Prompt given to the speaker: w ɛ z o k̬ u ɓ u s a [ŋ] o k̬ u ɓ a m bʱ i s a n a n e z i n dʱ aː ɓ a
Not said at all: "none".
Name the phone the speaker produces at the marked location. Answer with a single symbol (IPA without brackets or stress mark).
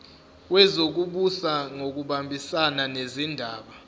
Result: ŋ